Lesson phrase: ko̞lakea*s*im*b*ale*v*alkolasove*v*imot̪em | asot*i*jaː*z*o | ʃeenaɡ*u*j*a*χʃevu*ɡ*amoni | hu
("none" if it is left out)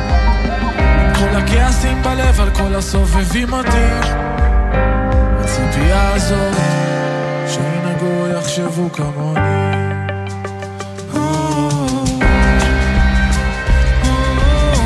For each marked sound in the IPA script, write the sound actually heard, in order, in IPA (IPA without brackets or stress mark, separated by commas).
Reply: s, b, v, v, i, z, o, a, k